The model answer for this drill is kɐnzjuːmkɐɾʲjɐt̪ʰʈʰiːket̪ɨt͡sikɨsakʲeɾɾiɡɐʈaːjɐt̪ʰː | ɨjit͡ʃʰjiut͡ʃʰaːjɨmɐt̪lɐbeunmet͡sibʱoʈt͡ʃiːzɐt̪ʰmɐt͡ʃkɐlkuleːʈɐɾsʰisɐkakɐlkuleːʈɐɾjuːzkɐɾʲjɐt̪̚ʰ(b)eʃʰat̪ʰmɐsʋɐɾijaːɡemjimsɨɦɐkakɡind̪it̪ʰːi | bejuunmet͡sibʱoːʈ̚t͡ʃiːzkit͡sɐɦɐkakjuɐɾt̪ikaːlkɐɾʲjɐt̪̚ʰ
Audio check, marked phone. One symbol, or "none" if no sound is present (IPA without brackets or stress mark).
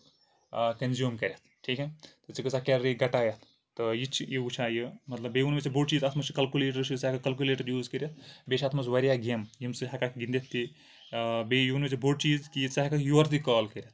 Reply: b